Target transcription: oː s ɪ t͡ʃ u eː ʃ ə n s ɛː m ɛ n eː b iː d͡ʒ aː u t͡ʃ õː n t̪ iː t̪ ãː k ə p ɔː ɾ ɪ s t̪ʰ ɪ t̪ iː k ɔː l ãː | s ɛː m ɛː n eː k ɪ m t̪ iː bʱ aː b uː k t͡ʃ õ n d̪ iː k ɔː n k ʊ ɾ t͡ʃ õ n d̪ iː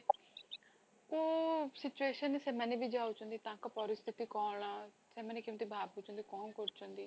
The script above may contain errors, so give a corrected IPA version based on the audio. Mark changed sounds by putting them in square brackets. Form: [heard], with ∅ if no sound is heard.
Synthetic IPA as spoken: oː s ɪ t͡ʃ u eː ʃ ə n s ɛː m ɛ n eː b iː d͡ʒ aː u t͡ʃ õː n [d̪] iː t̪ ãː k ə p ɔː ɾ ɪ s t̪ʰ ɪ t̪ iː k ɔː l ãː | s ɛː m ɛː n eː k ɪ m t̪ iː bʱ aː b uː [∅] t͡ʃ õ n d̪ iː k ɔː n k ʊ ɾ t͡ʃ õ n d̪ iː